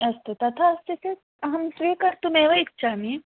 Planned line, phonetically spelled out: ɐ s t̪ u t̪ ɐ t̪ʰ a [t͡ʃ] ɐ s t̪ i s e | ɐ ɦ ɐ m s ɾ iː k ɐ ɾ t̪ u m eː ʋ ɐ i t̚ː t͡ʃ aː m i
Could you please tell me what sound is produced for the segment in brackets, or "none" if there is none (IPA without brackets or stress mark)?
none